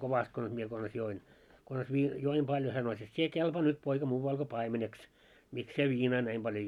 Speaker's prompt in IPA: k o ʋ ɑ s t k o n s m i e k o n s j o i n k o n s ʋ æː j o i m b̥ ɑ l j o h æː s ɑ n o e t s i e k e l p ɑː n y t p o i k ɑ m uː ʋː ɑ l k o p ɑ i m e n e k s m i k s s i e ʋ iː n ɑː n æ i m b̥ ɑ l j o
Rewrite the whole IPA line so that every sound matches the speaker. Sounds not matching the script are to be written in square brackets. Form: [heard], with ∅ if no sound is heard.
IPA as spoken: k o ʋ ɑ s t k o n s m i e k o n s j o i n k o n s ʋ [iː] j o i m b̥ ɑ l j o h [æ] s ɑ n o e t s i e k e l p ɑː n y t p o i k ɑ m uː [ʋ] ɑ l k o p ɑ i m e n e k s m i k s s i e ʋ iː n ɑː n æ i m b̥ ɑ l j o